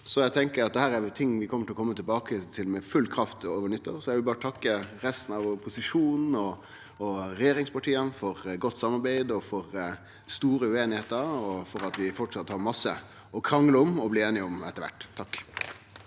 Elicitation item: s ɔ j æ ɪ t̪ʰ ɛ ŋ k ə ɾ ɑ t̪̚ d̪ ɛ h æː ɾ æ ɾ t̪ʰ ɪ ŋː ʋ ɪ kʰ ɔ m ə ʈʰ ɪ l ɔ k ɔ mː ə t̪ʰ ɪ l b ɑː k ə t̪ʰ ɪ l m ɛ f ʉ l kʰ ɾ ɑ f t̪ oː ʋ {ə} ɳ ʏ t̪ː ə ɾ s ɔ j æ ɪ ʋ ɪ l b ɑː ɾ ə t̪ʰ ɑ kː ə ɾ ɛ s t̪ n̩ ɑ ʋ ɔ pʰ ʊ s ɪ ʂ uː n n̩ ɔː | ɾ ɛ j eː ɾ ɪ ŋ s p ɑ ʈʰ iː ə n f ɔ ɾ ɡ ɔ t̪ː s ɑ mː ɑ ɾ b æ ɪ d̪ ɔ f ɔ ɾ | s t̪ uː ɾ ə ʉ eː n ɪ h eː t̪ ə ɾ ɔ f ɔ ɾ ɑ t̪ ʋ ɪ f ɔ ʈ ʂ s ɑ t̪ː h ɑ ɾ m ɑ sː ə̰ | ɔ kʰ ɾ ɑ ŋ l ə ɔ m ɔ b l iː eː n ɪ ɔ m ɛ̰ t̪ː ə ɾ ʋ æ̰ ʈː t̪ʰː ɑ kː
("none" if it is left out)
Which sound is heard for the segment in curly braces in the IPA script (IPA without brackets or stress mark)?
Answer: ə